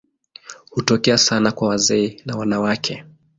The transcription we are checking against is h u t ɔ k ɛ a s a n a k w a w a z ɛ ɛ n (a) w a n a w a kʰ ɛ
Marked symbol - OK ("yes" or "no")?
yes